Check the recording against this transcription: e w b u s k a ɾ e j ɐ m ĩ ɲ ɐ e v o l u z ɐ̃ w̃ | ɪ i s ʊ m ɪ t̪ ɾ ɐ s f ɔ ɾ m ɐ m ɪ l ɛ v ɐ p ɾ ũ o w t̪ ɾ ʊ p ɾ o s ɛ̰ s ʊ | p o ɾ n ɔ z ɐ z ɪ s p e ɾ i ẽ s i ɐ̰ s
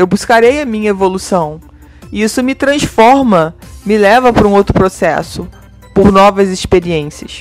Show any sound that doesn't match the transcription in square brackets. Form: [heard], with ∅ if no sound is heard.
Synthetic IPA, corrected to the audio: e w b u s k a ɾ e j ɐ m ĩ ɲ ɐ e v o l u [s] ɐ̃ w̃ | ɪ i s ʊ m ɪ t̪ ɾ [ɐ̃] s f ɔ ɾ m ɐ m ɪ l ɛ v ɐ p ɾ ũ o w t̪ ɾ ʊ p ɾ o s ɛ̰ s ʊ | p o ɾ n ɔ [v] ɐ z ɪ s p e ɾ i ẽ s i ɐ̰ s